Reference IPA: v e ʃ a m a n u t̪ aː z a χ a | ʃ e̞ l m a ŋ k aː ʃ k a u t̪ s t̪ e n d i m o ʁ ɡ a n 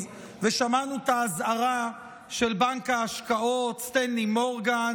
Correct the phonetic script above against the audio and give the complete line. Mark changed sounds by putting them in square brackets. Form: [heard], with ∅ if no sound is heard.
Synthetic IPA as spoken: v e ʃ a m a n u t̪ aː z a [ʁ] a | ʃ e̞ l [b] a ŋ k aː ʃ k a [o] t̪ s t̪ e n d i m o ʁ ɡ a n